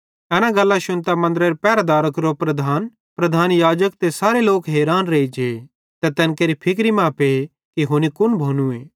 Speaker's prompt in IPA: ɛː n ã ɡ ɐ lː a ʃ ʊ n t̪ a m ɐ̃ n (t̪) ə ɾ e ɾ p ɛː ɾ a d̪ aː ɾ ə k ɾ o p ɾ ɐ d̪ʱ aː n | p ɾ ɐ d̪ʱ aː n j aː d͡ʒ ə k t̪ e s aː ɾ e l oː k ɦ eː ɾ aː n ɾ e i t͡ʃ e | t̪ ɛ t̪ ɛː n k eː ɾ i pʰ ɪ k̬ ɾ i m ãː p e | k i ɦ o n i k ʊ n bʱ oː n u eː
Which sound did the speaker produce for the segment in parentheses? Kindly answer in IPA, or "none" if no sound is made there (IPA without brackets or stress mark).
d̪